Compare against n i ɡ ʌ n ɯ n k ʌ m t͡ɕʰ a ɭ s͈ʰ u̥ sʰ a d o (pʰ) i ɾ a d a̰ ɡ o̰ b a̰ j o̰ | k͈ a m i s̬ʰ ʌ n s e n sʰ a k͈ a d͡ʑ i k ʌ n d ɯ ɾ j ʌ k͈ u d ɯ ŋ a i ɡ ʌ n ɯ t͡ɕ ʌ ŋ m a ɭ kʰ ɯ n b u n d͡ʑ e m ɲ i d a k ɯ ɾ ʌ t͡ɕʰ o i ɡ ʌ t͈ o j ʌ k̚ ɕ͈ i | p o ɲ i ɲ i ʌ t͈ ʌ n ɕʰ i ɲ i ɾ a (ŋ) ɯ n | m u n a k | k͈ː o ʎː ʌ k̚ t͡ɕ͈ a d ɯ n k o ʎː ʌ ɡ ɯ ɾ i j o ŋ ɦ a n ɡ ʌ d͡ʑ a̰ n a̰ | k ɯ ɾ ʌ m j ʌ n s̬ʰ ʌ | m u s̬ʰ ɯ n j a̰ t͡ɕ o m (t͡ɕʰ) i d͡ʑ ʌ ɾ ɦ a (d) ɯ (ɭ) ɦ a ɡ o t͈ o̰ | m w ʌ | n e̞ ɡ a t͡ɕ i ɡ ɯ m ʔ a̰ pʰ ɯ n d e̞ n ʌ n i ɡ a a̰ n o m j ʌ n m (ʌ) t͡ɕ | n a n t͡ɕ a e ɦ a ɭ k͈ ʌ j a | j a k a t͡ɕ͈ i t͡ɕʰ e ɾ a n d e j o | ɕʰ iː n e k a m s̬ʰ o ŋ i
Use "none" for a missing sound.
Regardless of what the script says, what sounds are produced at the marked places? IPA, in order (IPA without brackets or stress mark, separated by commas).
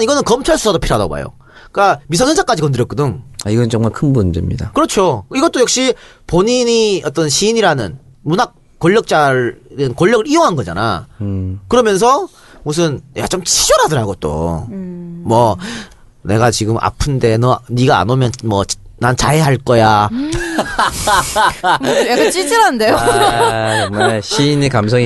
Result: pʰ, n, t͡ɕʰ, d, ɾ, ʌ